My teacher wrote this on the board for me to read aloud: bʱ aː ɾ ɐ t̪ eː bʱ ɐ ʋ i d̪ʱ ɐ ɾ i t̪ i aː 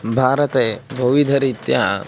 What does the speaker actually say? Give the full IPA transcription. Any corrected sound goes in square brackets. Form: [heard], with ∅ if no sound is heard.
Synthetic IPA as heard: bʱ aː ɾ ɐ t̪ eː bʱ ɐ ʋ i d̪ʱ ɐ ɾ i t̪ [j] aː